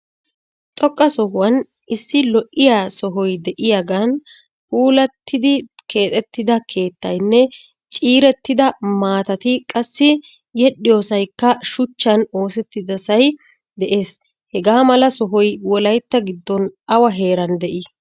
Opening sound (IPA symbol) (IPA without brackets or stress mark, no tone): t̪ʼ